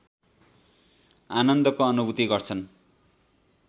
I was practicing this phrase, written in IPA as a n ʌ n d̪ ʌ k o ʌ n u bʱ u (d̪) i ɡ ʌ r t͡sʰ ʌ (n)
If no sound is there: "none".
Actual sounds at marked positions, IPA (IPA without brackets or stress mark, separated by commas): t̪, n